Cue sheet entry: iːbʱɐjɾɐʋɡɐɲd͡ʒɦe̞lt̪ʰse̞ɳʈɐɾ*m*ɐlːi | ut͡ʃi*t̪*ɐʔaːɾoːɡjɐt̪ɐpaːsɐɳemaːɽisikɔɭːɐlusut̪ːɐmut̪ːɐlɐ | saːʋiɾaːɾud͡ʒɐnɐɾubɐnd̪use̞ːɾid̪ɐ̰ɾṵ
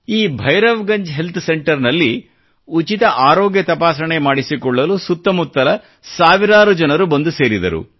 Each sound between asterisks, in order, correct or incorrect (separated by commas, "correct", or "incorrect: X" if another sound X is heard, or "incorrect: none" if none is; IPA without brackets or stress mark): incorrect: n, correct